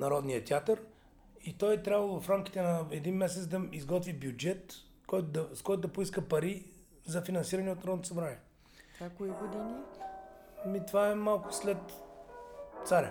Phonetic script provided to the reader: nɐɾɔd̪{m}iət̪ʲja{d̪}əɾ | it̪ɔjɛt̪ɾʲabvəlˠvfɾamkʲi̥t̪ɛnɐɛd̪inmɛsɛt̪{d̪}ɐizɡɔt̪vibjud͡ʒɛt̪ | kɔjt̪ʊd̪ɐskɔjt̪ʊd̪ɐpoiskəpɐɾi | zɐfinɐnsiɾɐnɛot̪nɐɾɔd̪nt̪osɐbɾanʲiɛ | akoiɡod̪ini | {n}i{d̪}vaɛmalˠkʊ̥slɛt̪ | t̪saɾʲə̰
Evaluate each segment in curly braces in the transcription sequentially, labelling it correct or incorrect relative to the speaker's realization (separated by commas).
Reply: incorrect, incorrect, correct, incorrect, incorrect